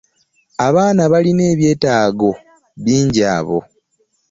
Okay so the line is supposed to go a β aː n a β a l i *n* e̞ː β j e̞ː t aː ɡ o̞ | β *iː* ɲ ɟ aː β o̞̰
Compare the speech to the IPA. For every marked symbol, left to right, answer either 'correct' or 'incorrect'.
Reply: correct, correct

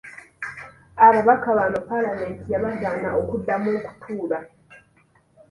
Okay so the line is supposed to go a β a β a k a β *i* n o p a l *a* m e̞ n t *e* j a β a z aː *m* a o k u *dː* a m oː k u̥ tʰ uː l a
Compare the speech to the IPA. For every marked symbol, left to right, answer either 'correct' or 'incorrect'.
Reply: incorrect, correct, incorrect, incorrect, correct

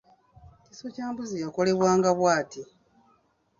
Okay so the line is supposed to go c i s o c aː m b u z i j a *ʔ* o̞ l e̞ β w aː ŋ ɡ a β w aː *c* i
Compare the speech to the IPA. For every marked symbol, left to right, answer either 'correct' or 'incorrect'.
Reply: incorrect, incorrect

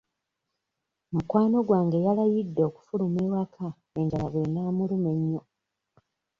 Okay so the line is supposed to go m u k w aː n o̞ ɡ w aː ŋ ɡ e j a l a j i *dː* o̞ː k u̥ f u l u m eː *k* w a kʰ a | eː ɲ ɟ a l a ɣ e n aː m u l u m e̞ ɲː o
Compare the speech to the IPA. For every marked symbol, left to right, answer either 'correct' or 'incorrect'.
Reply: correct, incorrect

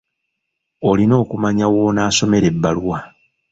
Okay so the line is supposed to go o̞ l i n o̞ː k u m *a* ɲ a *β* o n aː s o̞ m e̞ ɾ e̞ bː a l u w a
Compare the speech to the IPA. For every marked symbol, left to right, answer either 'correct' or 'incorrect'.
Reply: correct, incorrect

